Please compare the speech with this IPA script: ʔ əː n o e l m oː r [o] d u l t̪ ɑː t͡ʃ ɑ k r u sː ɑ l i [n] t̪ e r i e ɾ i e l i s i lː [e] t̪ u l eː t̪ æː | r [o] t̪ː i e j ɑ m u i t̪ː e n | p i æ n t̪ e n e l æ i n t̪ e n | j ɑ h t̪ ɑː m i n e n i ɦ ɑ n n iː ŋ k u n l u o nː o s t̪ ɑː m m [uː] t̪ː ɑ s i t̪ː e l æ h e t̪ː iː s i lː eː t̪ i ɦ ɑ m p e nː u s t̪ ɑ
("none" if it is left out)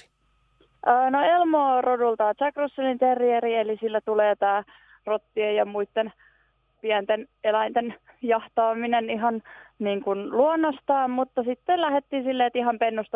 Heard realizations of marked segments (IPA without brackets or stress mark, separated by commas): o, n, æ, o, u